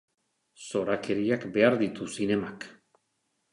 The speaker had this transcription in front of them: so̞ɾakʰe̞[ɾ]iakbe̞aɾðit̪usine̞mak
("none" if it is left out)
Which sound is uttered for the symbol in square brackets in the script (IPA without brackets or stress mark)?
ɾ